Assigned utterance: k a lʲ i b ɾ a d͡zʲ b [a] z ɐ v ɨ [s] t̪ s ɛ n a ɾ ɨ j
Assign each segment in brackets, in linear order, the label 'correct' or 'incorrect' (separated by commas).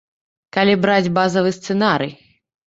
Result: correct, correct